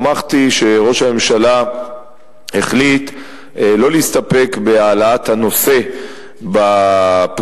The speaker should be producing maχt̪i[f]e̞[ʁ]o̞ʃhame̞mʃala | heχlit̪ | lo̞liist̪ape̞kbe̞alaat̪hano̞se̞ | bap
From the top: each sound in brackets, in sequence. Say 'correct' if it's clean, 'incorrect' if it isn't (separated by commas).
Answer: incorrect, correct